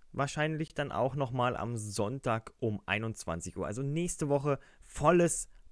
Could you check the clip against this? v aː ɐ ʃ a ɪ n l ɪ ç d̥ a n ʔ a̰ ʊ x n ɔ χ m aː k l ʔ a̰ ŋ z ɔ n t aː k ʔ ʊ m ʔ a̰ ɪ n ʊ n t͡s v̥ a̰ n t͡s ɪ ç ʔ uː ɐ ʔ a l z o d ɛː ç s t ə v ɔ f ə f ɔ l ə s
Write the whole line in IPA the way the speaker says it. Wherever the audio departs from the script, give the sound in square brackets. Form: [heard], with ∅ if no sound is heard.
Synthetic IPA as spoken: v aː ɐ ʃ a ɪ n l ɪ ç d̥ a n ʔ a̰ ʊ x n ɔ χ m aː [∅] l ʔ a̰ [m] z ɔ n t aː k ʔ ʊ m ʔ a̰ ɪ n ʊ n t͡s v̥ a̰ n t͡s ɪ ç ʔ uː ɐ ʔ a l z o [n] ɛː ç s t ə v ɔ [χ] ə f ɔ l ə s